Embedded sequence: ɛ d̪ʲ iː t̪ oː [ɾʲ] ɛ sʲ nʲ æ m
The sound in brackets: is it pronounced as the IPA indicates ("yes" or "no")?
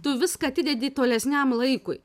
no